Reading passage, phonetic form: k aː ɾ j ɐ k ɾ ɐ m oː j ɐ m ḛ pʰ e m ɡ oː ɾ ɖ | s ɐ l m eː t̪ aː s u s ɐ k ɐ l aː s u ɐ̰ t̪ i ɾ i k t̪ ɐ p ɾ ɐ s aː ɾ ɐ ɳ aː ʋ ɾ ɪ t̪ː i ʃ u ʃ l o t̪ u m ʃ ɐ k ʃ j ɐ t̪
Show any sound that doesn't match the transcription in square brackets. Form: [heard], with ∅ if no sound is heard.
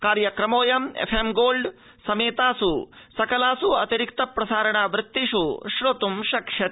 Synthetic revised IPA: k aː ɾ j ɐ k ɾ ɐ m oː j ɐ m ḛ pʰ e m ɡ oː [l] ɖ | s ɐ [∅] m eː t̪ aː s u s ɐ k ɐ l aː s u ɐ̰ t̪ i ɾ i k t̪ ɐ p ɾ ɐ s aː ɾ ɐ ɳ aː ʋ ɾ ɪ t̪ː i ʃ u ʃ [ɾ] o t̪ u m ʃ ɐ k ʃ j ɐ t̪